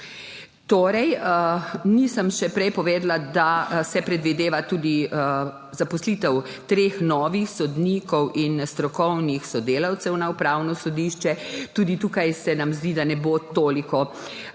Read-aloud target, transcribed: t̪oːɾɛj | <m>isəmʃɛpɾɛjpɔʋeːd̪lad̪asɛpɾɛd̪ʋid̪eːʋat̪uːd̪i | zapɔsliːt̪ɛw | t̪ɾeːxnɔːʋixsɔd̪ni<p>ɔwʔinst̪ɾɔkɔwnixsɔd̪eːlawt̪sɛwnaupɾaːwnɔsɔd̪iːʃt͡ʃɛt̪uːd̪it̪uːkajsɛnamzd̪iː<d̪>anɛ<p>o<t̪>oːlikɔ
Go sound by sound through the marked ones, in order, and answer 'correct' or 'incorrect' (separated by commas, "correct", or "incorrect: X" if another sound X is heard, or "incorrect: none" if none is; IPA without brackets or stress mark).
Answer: incorrect: n, incorrect: k, correct, incorrect: b, correct